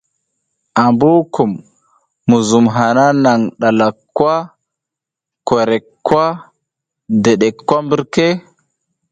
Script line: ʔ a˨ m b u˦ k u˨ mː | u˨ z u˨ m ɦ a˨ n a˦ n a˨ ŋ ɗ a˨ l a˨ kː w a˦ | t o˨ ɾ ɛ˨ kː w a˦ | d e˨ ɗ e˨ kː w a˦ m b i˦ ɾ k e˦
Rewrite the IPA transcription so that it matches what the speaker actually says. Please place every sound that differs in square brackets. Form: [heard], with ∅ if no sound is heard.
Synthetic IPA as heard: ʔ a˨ m b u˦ k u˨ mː | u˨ z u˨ m ɦ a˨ n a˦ n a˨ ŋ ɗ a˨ l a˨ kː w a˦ | [k] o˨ ɾ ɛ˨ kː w a˦ | d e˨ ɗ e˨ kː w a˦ m b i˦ ɾ k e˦